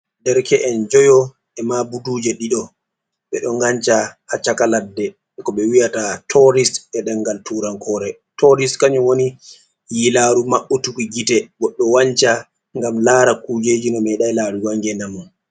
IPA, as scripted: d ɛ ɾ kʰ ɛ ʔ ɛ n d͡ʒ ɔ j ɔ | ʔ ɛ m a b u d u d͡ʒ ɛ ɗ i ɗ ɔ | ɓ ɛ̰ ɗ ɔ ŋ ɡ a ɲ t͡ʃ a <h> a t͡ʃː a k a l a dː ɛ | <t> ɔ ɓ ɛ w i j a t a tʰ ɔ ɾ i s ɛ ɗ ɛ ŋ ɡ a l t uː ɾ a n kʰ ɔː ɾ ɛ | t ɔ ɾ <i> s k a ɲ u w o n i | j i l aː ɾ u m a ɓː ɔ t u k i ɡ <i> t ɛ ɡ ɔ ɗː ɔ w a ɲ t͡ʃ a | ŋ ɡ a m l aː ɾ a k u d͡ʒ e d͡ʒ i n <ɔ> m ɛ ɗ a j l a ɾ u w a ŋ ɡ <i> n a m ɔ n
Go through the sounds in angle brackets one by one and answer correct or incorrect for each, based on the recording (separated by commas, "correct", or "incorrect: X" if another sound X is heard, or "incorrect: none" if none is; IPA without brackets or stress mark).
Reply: correct, incorrect: k, correct, correct, correct, incorrect: ɛ